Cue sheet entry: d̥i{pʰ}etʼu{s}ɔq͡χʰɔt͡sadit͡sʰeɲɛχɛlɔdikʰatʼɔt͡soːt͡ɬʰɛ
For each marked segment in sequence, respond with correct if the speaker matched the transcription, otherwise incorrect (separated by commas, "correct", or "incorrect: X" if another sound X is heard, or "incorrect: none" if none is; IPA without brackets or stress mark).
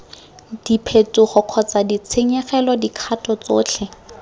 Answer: correct, incorrect: χ